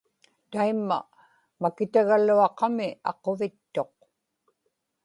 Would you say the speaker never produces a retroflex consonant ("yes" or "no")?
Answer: yes